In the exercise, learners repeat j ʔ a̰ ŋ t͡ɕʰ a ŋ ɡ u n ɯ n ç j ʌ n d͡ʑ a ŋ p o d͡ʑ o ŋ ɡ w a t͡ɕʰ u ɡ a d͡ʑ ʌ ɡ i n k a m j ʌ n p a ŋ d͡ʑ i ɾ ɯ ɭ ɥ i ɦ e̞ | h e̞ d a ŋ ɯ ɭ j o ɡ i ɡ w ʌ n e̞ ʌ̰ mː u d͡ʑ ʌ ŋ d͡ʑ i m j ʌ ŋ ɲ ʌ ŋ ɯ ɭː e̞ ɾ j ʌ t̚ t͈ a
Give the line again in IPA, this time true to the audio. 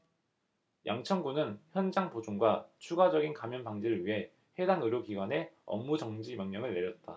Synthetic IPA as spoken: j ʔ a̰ ŋ t͡ɕʰ ʌ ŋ ɡ u n ɯ n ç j ʌ n d͡ʑ a ŋ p o d͡ʑ o ŋ ɡ w a t͡ɕʰ u ɡ a d͡ʑ ʌ ɡ i n k a m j ʌ n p a ŋ d͡ʑ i ɾ ɯ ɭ ɥ i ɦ e̞ | h e̞ d a ŋ ɯ ɾ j o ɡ i ɡ w a n e̞ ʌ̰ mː u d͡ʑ ʌ ŋ d͡ʑ i m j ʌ ŋ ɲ ʌ ŋ ɯ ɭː e̞ ɾ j ʌ t̚ t͈ a